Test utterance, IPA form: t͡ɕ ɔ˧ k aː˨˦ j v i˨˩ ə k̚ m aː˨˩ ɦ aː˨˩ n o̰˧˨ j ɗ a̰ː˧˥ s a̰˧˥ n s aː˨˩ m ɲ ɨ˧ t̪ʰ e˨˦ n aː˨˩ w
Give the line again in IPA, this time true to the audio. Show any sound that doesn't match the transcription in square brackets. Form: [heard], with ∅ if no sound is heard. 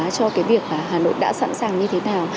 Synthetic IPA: t͡ɕ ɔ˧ k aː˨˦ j v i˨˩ ə k̚ m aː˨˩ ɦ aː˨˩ n o̰˧˨ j ɗ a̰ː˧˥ s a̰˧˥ n s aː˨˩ [ŋ] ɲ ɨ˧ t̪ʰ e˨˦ n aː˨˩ w